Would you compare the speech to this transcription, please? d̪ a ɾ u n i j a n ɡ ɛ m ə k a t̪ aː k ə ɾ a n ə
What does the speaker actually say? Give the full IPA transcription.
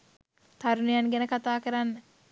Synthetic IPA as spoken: t̪ a ɾ u n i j a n ɡ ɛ n ə k a t̪ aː k ə ɾ a nː ə